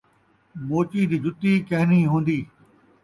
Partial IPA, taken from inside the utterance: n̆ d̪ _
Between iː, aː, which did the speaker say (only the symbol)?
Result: iː